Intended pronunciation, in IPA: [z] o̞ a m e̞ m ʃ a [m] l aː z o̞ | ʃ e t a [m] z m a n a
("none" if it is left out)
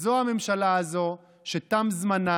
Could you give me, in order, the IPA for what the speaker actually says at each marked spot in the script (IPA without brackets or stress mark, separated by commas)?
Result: z, none, m